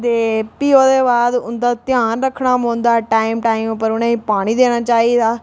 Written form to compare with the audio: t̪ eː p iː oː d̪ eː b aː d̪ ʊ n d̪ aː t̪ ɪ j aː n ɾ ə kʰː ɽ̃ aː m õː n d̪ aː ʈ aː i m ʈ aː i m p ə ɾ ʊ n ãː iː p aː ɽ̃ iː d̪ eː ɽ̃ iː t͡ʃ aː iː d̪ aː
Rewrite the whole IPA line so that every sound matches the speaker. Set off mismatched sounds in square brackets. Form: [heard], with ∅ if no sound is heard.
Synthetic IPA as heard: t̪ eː p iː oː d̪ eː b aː d̪ ʊ n d̪ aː t̪ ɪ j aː n ɾ ə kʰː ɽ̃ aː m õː n d̪ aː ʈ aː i m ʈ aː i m p ə ɾ ʊ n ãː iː p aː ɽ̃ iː d̪ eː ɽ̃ [aː] t͡ʃ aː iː d̪ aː